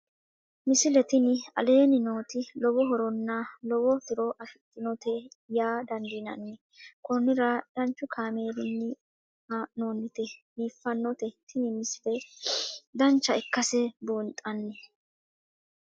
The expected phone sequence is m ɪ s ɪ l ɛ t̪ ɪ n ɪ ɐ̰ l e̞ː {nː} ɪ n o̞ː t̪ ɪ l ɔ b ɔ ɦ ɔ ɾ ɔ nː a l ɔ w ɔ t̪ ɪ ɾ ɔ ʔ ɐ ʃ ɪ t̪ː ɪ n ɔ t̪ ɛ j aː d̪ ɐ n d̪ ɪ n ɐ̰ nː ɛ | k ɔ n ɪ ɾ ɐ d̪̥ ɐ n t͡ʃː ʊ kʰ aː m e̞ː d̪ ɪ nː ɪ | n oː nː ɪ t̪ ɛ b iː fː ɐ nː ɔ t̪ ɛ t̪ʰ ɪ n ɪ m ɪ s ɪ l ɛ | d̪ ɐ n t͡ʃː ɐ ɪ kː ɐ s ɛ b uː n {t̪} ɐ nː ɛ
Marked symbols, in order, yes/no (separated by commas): no, no